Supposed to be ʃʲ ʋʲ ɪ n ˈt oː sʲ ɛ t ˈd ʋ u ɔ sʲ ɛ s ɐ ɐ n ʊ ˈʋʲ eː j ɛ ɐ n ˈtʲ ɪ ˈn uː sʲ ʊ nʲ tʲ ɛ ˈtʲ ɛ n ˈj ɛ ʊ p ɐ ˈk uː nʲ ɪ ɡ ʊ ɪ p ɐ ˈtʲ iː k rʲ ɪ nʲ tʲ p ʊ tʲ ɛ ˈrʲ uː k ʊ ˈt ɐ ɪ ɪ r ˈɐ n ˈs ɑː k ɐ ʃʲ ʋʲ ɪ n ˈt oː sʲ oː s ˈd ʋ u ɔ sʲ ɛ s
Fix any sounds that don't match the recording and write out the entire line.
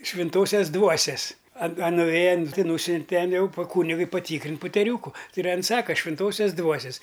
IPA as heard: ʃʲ ʋʲ ɪ n ˈt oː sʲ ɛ s ˈd ʋ u ɔ sʲ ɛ s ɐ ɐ n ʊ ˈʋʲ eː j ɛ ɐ n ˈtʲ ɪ ˈn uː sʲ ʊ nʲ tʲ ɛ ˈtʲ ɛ n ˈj ɛ ʊ p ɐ ˈk uː nʲ ɪ ɡ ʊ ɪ p ɐ ˈtʲ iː k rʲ ɪ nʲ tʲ p ʊ tʲ ɛ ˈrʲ uː k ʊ ˈt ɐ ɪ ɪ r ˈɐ n ˈs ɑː k ɐ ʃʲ ʋʲ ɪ n ˈt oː sʲ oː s ˈd ʋ u ɔ sʲ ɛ s